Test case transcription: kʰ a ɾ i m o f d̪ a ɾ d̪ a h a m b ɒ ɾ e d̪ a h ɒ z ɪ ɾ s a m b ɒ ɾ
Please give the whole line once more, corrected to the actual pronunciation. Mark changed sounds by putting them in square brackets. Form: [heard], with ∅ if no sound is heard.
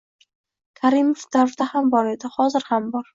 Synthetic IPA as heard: kʰ a ɾ i m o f d̪ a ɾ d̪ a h a m b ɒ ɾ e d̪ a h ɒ z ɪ ɾ [h] a m b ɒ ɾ